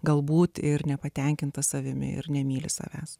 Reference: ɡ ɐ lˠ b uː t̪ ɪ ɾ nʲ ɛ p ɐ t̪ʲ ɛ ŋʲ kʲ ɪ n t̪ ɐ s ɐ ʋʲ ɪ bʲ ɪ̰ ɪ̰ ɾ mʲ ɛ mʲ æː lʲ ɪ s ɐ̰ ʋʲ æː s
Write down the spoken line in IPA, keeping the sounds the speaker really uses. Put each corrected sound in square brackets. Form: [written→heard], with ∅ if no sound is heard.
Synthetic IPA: ɡ ɐ lˠ b uː t̪ ɪ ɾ nʲ ɛ p ɐ t̪ʲ ɛ ŋʲ kʲ ɪ n t̪ ɐ s ɐ ʋʲ ɪ [bʲ→mʲ] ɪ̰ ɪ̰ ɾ [mʲ→nʲ] ɛ mʲ [æː→iː] lʲ ɪ s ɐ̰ ʋʲ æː s